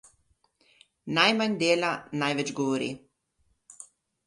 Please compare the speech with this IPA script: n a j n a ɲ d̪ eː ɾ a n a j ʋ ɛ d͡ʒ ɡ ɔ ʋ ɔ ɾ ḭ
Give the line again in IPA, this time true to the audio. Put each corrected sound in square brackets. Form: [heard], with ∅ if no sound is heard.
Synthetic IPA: n a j [m] a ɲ d̪ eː [l] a n a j ʋ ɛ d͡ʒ ɡ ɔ ʋ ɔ ɾ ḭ